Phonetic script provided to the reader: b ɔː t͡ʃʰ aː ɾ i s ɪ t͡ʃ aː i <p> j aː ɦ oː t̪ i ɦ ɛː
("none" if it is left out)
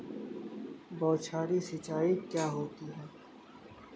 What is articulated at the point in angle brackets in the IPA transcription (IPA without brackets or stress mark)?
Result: k